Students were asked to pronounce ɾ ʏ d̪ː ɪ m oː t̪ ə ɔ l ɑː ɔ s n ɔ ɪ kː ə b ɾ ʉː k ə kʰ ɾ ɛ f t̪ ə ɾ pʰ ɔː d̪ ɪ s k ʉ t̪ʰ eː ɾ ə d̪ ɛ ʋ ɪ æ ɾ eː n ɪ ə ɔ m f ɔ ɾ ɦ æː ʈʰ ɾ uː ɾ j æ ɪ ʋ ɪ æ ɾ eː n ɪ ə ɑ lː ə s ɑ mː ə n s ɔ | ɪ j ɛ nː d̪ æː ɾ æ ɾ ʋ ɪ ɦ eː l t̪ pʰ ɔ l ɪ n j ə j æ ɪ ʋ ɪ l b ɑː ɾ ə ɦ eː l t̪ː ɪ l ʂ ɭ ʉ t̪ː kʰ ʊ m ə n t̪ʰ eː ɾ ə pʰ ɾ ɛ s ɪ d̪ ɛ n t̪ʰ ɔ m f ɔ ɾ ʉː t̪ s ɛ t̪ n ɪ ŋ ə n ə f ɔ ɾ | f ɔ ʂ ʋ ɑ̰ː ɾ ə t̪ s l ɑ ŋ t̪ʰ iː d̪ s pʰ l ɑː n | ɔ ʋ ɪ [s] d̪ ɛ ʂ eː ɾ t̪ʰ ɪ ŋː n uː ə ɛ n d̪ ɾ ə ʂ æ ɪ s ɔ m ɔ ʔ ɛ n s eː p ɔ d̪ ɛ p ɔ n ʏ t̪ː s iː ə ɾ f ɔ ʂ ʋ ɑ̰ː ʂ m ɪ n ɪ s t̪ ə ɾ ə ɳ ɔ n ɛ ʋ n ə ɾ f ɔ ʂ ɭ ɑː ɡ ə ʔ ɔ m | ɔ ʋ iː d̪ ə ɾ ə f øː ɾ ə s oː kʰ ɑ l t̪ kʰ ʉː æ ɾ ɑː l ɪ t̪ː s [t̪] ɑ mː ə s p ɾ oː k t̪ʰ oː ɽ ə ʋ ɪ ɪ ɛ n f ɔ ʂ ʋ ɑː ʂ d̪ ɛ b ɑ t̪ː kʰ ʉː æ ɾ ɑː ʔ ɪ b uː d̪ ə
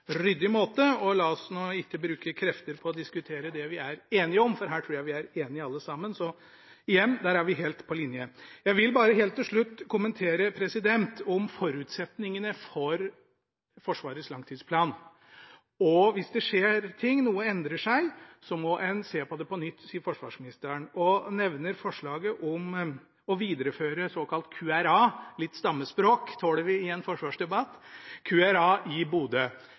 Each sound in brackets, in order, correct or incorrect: correct, correct

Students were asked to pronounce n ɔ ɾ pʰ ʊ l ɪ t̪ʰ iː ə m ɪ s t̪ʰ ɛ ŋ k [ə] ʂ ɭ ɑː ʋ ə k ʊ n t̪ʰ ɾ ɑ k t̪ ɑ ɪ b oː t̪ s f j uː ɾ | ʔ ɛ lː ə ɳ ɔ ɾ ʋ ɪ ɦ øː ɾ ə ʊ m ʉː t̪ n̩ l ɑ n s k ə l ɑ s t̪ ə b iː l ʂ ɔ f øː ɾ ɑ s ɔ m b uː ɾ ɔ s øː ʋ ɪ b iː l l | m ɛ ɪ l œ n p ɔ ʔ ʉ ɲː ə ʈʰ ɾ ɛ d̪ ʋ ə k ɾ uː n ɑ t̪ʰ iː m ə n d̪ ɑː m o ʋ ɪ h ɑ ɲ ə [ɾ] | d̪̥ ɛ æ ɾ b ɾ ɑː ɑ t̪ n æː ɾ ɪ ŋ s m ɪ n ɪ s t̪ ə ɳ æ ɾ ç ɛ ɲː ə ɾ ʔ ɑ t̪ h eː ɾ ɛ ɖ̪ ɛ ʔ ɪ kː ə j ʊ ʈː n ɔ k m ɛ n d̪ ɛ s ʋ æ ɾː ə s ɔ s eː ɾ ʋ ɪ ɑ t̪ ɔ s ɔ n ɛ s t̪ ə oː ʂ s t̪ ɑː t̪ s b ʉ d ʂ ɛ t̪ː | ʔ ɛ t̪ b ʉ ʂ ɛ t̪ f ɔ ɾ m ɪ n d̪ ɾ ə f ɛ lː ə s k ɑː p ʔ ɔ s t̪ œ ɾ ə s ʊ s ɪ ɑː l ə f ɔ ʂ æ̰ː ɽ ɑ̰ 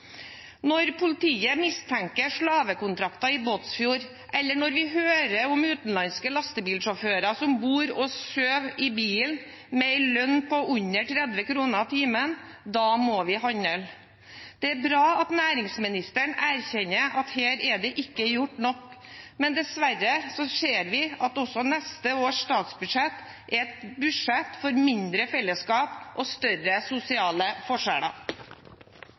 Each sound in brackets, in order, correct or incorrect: correct, incorrect: l

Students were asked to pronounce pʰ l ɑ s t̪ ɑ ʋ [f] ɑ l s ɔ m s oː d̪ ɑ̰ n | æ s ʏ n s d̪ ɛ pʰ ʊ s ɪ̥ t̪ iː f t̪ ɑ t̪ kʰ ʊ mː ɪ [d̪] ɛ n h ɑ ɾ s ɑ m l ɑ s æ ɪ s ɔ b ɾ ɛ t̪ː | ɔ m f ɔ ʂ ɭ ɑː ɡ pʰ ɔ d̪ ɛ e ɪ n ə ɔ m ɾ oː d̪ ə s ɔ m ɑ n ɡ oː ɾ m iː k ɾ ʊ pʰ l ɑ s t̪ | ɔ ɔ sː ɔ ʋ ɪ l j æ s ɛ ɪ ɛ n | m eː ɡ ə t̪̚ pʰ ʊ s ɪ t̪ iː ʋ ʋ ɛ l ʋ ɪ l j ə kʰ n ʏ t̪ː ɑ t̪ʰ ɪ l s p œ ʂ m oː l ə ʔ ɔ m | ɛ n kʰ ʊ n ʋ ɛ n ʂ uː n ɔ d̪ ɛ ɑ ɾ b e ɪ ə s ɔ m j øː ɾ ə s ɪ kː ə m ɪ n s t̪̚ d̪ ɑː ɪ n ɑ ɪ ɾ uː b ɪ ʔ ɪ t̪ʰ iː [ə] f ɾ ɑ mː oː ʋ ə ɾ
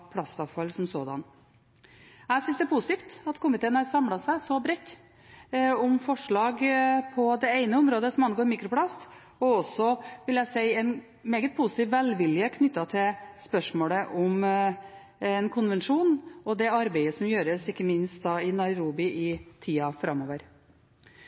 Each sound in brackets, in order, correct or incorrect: correct, incorrect: t̪, incorrect: ɑ

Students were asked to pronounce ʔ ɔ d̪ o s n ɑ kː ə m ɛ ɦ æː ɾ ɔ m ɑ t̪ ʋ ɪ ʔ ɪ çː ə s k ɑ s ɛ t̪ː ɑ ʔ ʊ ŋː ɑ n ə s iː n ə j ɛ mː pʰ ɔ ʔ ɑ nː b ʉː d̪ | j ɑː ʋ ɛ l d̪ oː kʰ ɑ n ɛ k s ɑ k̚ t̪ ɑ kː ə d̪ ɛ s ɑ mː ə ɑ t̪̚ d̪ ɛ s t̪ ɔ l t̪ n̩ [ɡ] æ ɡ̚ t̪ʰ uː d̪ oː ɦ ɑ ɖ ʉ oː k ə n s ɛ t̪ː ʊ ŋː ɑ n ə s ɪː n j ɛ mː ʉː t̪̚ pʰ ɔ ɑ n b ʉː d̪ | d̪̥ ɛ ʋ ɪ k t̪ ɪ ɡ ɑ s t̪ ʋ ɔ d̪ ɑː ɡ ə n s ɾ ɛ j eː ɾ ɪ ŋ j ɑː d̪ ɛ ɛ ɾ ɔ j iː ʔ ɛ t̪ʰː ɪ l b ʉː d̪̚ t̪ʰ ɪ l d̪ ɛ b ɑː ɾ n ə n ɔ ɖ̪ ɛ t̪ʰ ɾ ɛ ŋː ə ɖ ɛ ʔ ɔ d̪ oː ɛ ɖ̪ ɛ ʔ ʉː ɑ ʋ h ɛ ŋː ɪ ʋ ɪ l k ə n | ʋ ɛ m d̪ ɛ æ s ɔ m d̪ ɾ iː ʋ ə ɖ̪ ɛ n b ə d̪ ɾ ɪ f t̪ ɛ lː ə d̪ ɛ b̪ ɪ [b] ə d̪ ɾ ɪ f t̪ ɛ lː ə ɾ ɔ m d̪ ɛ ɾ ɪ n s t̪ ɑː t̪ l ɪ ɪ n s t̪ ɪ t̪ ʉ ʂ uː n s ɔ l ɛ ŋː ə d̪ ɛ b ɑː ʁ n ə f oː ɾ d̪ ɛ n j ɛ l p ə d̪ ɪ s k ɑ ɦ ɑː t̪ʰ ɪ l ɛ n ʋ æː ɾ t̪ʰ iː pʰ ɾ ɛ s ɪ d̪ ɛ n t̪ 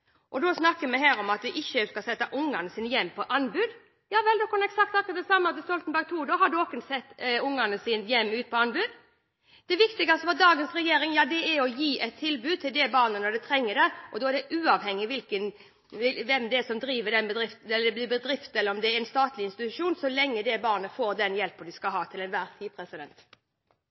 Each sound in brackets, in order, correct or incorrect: incorrect: b, correct

